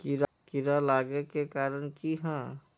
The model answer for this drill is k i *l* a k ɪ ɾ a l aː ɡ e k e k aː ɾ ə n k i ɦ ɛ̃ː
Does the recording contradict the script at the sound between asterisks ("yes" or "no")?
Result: yes